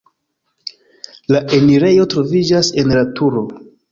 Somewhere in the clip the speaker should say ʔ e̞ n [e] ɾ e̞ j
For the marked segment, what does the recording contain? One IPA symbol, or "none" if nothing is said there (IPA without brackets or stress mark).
i